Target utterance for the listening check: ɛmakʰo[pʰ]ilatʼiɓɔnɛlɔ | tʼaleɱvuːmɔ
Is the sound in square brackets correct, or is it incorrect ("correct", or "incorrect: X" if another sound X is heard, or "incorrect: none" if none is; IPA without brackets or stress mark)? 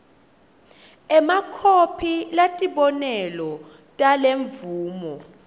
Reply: correct